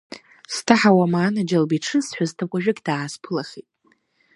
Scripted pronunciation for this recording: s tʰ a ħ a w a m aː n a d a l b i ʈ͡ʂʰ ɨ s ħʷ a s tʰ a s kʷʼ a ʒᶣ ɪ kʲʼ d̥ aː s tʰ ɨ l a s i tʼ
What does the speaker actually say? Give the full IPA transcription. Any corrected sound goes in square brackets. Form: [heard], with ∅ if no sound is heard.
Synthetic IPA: s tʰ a ħ a w a m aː n a [d͡ʒ] a l b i ʈ͡ʂʰ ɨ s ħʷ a [z] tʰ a [∅] kʷʼ a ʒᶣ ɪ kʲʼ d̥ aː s [pʰ] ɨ l a [χ] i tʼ